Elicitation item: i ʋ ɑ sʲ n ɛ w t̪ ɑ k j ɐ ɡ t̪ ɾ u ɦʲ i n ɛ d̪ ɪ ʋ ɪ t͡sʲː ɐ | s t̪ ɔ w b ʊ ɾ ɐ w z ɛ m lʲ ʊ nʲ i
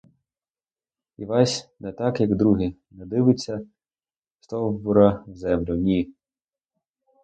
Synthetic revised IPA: i ʋ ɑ sʲ n ɛ t̪ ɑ k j ɐ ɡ d̪ ɾ u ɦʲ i n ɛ d̪ ɪ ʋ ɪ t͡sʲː ɐ | s t̪ ɔ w b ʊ ɾ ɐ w z ɛ m lʲ ʊ nʲ i